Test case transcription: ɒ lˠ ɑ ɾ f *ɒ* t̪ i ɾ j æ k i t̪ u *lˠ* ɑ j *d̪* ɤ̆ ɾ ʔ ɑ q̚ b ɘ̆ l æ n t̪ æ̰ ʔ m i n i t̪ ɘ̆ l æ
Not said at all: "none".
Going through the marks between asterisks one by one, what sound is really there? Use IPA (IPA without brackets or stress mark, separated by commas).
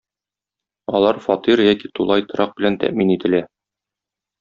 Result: ɒ, lˠ, t̪